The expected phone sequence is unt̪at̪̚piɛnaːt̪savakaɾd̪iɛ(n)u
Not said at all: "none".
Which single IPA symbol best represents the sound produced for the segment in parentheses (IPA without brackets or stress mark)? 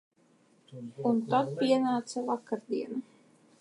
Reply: n